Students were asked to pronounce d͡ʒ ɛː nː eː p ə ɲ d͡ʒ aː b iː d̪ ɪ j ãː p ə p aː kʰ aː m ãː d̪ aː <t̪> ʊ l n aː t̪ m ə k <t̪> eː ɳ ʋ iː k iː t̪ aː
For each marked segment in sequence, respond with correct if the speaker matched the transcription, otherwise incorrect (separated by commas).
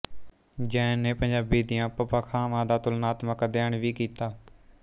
correct, incorrect